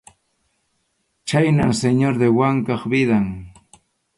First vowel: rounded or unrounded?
unrounded